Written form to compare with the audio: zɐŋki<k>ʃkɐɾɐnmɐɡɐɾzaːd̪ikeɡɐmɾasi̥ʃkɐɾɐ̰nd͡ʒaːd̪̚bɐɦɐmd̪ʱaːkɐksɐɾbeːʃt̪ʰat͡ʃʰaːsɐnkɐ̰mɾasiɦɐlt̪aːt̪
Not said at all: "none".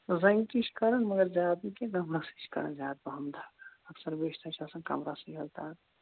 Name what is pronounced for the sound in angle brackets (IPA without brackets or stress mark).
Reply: none